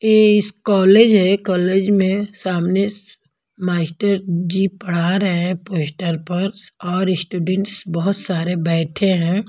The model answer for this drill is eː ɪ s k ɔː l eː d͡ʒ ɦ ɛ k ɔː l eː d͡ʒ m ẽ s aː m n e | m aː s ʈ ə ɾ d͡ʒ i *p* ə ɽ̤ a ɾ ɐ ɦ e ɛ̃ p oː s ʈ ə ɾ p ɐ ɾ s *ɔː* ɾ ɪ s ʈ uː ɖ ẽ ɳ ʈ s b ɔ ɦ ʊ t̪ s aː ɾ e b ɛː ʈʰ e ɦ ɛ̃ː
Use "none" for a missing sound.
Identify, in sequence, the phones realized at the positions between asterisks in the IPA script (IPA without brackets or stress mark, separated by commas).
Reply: p, ɔː